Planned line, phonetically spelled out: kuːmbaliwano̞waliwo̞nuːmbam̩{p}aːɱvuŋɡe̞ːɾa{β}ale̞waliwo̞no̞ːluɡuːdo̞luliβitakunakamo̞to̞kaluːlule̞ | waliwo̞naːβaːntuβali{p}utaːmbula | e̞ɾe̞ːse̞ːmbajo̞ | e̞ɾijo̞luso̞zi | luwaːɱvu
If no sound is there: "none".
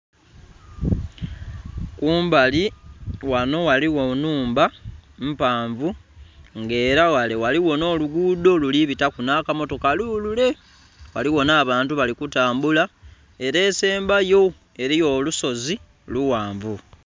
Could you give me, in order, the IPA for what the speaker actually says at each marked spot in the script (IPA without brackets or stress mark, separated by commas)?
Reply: p, w, k